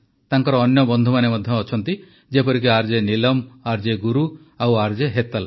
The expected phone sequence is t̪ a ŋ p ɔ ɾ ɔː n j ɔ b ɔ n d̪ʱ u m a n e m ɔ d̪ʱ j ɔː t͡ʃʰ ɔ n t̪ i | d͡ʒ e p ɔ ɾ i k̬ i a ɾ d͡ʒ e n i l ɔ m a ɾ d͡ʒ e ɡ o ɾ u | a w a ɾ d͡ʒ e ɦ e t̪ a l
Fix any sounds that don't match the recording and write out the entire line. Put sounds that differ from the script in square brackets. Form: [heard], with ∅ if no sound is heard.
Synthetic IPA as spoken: t̪ a ŋ [k] ɔ ɾ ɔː n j ɔ b ɔ n d̪ʱ u m a n e m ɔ d̪ʱ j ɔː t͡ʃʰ ɔ n t̪ i | d͡ʒ e p ɔ ɾ i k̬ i a ɾ d͡ʒ e n i l ɔ m a ɾ d͡ʒ e ɡ [u] ɾ u | a w a ɾ d͡ʒ e ɦ e t̪ a l